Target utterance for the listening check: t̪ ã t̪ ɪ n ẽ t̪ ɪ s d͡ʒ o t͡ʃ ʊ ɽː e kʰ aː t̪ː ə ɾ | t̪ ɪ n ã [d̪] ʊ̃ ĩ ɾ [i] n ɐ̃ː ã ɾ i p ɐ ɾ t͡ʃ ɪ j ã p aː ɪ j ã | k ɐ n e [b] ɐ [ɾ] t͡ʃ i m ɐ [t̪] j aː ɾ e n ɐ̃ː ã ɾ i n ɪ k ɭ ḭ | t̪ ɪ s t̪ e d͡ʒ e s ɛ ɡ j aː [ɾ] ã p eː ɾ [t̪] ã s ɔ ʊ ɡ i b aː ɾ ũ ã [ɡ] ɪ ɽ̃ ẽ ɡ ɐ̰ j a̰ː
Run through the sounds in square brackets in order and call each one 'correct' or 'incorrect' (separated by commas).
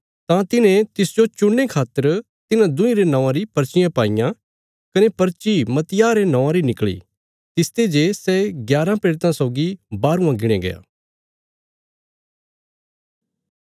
correct, incorrect, incorrect, correct, correct, correct, correct, correct